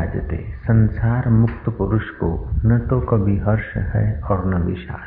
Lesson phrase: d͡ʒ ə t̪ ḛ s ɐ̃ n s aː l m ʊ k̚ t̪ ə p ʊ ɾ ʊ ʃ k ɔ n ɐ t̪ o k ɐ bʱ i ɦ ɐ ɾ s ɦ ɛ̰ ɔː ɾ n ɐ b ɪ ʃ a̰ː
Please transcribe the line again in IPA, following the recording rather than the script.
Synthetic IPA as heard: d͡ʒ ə t̪ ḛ s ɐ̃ n s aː ɾ m ʊ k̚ t̪ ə p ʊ ɾ ʊ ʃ k o n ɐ t̪ o k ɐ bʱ i ɦ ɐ ɾ ʃ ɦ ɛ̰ ɔː ɾ n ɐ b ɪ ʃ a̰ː